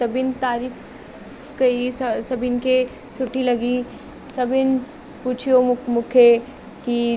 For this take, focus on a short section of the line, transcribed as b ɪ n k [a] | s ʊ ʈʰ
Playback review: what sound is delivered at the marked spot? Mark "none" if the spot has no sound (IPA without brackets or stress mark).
e